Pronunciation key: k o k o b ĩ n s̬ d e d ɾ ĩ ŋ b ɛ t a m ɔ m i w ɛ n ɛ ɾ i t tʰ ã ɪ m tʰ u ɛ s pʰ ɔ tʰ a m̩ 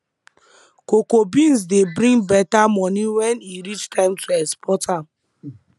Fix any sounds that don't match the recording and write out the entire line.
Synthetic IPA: k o k o b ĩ n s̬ d e b ɾ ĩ ŋ b ɛ t a m ɔ n i w ɛ n i ɾ i t͡ʃ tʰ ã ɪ m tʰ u ɛ s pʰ ɔ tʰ a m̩